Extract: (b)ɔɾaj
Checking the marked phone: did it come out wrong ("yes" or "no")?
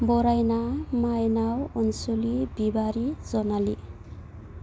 no